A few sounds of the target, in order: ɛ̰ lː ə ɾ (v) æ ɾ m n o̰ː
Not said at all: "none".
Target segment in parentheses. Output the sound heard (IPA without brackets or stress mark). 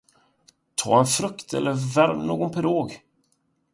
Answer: v